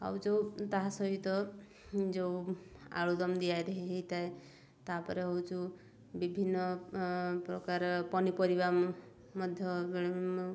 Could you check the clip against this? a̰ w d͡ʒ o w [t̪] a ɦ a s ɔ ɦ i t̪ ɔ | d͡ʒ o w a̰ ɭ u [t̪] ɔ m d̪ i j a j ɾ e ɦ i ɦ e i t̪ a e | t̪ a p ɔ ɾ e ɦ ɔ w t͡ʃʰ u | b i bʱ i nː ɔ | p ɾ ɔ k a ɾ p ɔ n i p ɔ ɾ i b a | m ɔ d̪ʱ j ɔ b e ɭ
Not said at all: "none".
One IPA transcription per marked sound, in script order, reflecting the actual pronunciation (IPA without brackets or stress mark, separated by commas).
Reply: t̪, d̪